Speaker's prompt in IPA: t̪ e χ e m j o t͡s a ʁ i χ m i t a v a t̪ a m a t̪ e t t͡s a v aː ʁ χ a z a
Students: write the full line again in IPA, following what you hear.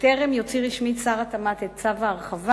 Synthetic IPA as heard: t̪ e ʁ e m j o t͡s i ʁ i ʃ m i t͡s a ʁ a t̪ a m a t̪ e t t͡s a v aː ʁ χ a v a